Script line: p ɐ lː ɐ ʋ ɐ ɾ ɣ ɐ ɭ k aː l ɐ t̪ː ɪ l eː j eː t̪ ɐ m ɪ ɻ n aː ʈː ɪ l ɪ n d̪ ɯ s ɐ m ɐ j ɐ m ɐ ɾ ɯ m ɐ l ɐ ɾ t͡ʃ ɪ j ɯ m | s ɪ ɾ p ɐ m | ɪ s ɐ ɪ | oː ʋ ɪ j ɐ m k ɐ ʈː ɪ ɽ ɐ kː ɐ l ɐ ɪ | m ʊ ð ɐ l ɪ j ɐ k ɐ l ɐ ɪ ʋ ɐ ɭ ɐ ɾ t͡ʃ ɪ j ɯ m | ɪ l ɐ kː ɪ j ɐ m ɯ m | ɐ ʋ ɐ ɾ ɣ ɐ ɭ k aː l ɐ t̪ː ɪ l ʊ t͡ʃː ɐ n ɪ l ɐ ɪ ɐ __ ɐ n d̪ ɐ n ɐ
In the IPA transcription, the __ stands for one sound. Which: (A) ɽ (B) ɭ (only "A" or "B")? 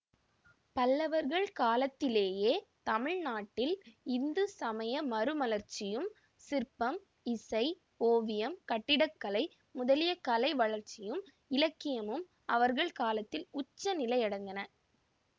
A